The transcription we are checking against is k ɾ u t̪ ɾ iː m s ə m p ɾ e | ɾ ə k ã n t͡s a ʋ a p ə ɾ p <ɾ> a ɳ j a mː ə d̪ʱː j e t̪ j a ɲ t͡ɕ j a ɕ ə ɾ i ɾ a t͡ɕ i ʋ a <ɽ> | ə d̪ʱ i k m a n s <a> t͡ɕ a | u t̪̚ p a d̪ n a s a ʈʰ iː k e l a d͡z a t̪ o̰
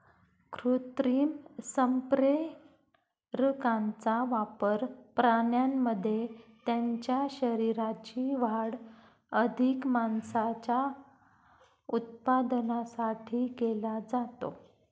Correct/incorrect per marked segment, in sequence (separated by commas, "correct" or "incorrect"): correct, correct, correct